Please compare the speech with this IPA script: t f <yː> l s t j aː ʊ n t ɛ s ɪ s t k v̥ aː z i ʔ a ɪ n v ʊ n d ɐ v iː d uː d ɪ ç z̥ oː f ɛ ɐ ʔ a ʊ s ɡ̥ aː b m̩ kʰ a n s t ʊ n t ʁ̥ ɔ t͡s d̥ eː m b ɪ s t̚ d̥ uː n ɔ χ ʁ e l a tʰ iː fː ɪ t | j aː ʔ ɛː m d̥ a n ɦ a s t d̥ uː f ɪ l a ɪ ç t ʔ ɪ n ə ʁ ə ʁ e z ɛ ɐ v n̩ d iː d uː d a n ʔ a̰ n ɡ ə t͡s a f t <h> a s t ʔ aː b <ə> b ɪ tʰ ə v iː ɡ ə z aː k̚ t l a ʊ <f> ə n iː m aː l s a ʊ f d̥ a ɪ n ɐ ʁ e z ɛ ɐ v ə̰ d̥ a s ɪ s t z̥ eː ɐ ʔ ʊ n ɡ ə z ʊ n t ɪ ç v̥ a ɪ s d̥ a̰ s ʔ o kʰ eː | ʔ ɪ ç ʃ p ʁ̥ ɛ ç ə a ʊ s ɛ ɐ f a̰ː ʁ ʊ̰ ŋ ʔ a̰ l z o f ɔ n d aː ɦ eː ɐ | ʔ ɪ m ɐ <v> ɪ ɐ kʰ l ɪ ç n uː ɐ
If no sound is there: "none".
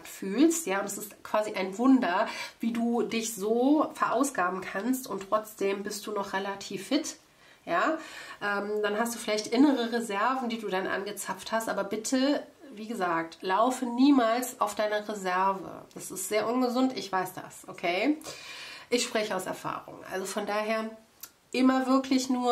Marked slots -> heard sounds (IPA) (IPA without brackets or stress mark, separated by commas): yː, h, ɐ, f, v